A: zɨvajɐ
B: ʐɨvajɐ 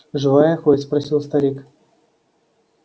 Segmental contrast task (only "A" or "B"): B